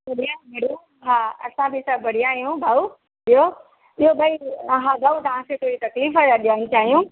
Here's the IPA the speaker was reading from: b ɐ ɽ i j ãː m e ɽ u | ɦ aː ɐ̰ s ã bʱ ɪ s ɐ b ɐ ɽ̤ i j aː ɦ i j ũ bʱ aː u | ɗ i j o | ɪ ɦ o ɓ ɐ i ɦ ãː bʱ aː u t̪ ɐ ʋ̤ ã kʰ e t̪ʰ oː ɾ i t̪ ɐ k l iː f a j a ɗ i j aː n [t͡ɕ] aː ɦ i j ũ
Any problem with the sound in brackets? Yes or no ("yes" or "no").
no